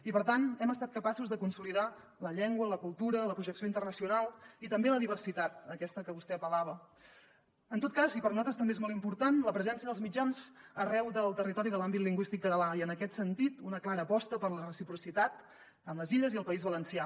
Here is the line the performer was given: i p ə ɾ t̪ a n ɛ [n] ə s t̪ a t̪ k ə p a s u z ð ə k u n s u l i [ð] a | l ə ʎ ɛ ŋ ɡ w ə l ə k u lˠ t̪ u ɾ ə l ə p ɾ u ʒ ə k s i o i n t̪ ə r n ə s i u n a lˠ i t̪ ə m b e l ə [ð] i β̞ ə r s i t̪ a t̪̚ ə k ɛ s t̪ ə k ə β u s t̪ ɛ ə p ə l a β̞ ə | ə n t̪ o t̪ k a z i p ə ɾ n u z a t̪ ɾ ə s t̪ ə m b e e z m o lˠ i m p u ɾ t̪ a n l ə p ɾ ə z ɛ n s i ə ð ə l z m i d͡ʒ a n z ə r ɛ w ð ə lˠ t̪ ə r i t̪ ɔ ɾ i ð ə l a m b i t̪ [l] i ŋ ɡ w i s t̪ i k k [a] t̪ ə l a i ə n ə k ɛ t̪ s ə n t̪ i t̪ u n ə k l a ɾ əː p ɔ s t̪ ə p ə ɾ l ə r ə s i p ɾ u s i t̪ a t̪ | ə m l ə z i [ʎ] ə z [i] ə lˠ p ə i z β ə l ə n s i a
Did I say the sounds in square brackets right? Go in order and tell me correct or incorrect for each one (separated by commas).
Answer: incorrect, correct, correct, correct, incorrect, correct, correct